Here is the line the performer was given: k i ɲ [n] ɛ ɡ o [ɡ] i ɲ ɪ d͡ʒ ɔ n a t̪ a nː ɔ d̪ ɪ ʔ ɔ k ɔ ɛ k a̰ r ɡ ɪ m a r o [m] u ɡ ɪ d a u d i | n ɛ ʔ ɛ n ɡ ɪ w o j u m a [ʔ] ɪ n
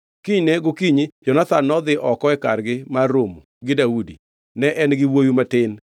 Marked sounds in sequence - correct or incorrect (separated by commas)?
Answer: correct, incorrect, correct, incorrect